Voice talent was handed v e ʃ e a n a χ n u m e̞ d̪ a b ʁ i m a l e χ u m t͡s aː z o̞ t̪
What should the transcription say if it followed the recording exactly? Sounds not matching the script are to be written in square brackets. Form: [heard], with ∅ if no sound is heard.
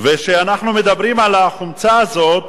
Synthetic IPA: v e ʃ e a n a χ n u m e̞ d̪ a b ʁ i m a l [a] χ u m t͡s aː z o̞ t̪